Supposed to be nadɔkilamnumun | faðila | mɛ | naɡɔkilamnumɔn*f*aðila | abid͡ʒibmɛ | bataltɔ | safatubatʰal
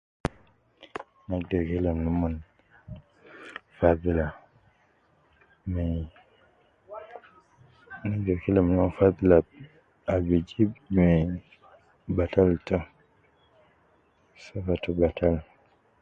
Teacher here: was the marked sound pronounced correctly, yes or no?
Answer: yes